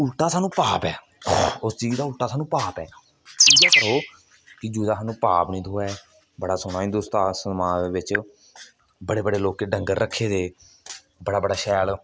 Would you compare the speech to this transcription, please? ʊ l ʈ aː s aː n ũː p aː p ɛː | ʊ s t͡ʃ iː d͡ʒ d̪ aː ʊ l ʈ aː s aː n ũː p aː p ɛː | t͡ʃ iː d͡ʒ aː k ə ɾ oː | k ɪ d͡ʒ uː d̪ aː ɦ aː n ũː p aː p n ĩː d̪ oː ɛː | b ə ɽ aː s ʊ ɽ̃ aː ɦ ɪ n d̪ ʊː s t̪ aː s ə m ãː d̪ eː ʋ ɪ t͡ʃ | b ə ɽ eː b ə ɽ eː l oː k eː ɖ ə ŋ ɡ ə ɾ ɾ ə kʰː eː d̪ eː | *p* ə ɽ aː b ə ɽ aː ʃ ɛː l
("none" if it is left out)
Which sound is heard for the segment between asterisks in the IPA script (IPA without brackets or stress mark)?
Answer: b